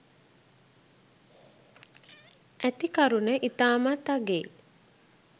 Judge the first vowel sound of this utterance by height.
low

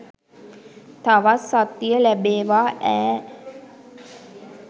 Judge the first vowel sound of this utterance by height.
low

